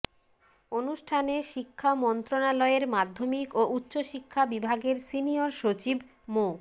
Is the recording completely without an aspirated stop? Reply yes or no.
no